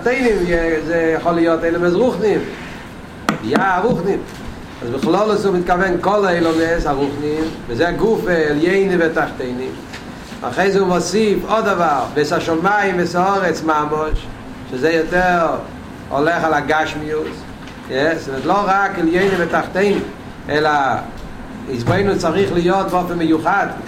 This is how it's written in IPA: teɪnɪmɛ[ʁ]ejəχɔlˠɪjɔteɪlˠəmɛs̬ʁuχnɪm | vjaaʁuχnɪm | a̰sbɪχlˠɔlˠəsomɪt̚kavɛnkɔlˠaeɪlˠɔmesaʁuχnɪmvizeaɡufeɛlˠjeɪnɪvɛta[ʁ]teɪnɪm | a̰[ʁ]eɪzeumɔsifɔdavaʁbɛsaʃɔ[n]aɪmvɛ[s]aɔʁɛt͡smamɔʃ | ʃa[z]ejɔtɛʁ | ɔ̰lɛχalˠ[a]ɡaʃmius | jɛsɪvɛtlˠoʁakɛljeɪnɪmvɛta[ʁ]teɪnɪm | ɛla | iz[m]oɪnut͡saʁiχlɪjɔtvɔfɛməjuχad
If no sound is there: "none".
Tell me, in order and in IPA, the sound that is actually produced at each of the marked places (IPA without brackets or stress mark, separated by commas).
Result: z, χ, χ, m, s, z, a, χ, b